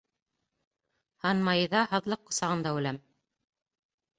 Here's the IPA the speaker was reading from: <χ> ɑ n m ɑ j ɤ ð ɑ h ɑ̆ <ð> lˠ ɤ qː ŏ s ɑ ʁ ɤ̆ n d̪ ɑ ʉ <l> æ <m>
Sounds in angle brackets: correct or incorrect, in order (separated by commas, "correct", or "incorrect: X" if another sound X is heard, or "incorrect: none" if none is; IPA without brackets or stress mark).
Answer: incorrect: h, correct, correct, correct